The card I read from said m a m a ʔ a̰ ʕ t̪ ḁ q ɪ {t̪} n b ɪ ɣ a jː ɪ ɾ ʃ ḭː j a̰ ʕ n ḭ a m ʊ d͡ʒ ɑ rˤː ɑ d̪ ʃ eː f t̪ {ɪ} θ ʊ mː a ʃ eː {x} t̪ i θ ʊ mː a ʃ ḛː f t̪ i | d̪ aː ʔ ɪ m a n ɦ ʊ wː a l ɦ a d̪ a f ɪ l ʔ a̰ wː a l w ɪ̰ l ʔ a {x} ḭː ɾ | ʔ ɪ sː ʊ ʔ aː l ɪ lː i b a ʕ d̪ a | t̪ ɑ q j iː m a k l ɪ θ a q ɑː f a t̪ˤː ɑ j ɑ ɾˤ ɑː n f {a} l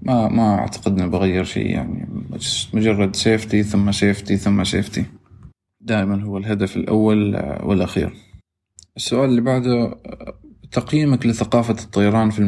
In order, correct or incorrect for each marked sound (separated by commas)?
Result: incorrect, incorrect, incorrect, correct, incorrect